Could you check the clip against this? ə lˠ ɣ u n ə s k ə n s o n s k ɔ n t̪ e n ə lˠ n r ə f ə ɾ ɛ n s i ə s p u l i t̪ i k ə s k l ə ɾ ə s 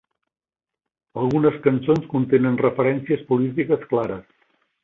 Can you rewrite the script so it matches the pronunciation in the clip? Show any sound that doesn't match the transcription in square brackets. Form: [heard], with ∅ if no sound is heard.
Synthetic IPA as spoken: ə lˠ ɣ u n ə s k ə n s o n s k [u] n t̪ e n ə [∅] n r ə f ə ɾ ɛ n s i ə s p u l i t̪ i k ə s k l [a] ɾ ə s